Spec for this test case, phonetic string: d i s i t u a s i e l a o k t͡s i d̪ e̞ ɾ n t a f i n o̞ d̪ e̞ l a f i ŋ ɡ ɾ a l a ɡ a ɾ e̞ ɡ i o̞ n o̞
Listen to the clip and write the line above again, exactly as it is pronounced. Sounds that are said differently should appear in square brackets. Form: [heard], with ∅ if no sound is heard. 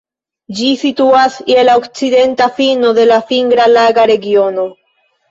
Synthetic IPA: [d͡ʒ] i s i t u a s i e l a o k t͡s i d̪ e̞ [∅] n t a f i n o̞ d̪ e̞ l a f i ŋ ɡ ɾ a l a ɡ a ɾ e̞ ɡ i o̞ n o̞